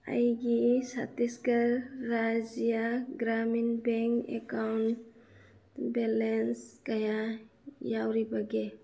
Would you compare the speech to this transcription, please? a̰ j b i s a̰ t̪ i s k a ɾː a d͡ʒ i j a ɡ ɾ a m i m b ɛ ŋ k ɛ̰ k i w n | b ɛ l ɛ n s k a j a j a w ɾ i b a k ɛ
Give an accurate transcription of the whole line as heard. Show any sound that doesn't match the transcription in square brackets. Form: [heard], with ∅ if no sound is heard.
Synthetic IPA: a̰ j [ɡ] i s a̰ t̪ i s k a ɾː a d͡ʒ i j a ɡ ɾ a m i [n] b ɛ ŋ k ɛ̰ k [a] w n | b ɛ l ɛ n s k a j a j a w ɾ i b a [ɡ] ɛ